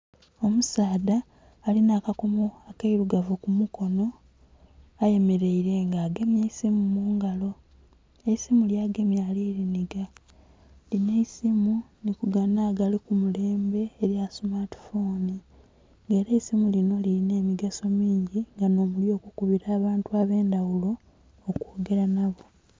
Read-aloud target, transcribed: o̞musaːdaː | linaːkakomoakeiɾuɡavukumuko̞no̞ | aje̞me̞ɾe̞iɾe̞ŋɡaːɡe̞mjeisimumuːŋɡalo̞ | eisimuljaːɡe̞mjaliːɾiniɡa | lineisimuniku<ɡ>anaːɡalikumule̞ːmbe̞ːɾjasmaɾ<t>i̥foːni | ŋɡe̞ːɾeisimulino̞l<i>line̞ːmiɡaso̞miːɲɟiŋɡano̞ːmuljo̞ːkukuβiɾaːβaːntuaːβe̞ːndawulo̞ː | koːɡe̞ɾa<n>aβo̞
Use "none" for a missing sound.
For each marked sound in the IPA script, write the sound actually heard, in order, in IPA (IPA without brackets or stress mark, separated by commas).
ɡ, t, i, n